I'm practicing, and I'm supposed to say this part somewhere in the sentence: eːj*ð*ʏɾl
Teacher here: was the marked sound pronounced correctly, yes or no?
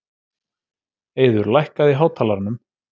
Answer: yes